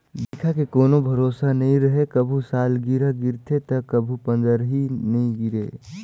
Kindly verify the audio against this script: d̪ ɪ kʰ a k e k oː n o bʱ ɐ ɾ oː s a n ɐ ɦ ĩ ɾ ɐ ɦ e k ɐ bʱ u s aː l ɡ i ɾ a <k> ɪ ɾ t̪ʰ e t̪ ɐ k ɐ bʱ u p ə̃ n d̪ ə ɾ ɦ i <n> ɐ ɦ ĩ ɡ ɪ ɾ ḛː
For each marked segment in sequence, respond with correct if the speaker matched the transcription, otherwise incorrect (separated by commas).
incorrect, correct